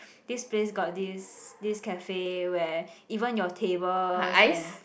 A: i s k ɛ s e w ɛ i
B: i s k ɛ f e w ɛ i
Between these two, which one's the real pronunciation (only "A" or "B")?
B